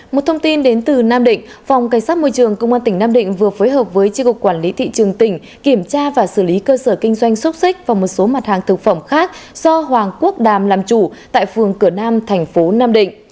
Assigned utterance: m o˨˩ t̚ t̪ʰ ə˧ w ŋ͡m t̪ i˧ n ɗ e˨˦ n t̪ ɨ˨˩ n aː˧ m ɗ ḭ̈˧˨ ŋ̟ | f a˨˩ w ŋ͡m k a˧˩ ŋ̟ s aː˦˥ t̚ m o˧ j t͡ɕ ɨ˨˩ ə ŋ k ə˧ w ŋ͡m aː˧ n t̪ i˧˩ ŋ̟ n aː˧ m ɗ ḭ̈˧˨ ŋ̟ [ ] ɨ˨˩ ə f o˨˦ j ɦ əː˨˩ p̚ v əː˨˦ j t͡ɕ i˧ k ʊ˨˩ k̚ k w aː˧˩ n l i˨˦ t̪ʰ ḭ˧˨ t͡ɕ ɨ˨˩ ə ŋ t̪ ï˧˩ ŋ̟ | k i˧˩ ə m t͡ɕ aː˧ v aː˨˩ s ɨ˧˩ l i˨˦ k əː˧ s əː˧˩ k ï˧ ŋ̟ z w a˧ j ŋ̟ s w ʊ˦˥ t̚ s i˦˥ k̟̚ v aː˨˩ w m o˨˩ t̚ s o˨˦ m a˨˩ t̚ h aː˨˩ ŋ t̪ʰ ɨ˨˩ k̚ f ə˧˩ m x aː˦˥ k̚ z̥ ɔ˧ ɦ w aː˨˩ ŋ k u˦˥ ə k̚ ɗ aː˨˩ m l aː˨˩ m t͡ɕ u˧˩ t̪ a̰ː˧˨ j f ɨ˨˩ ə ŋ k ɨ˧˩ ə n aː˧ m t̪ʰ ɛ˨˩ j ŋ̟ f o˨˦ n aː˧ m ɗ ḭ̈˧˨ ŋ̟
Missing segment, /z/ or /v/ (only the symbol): v